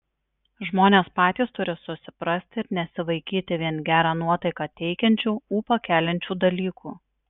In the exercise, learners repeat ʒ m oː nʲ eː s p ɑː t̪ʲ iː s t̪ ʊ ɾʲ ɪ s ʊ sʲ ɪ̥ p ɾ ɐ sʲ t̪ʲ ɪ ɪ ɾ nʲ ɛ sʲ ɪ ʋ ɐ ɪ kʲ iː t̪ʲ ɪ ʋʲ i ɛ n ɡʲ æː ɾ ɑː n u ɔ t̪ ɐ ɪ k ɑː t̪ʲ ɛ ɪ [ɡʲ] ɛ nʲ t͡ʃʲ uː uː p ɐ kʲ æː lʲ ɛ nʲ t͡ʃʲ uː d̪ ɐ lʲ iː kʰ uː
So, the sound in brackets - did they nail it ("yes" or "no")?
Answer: no